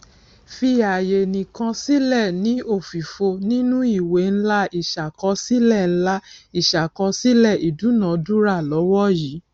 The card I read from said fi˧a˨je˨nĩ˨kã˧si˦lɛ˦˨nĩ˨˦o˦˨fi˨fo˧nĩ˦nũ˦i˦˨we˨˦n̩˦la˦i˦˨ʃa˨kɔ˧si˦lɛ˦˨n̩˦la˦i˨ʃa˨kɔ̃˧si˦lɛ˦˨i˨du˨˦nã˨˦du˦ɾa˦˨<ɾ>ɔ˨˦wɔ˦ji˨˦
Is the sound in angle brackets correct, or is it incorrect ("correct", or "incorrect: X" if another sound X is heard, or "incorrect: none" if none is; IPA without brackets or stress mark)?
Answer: incorrect: l